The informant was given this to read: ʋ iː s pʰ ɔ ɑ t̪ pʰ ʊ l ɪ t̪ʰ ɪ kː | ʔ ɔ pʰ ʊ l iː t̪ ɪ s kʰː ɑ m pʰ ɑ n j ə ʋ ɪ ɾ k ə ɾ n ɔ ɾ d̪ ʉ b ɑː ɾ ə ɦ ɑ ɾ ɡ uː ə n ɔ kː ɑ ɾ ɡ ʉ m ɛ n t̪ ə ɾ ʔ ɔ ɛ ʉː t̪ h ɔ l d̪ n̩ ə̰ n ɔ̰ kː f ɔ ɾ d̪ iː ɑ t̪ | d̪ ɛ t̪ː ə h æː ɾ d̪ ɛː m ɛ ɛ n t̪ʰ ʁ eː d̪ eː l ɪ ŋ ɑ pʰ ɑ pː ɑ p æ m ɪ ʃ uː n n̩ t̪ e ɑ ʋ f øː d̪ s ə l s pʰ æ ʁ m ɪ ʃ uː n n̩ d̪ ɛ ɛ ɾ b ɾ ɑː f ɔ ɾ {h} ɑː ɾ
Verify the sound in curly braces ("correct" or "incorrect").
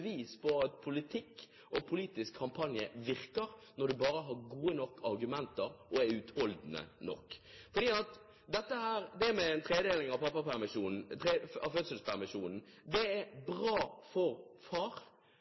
incorrect